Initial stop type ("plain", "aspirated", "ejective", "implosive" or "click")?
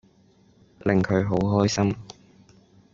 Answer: aspirated